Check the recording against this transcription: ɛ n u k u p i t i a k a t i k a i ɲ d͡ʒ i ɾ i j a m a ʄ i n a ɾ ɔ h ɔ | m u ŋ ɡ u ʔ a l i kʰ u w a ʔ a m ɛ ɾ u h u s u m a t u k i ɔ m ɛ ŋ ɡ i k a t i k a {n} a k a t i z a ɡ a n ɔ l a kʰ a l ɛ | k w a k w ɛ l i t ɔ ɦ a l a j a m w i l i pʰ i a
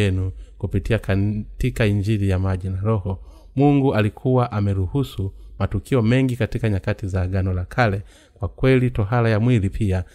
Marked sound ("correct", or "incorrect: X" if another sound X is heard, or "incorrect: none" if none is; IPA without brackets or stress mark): incorrect: ɲ